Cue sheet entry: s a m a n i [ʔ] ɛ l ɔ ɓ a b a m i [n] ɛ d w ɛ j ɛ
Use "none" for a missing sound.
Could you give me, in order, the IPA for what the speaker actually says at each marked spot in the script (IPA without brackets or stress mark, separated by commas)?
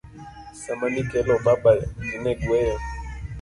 k, n